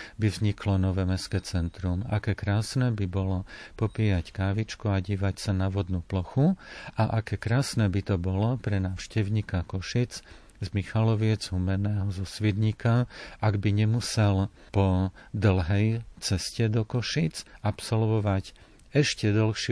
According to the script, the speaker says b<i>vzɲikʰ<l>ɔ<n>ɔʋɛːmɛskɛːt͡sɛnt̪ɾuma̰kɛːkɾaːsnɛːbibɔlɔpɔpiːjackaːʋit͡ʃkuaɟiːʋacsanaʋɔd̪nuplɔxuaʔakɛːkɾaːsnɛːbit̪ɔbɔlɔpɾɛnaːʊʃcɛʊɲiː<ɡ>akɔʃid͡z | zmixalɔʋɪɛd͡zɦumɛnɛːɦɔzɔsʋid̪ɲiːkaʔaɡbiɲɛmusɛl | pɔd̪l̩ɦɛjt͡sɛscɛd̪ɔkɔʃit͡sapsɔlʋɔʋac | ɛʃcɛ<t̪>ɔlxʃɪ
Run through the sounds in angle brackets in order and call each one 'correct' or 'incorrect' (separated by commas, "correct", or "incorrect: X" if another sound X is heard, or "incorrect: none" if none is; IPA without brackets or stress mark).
correct, correct, correct, incorrect: k, incorrect: d̪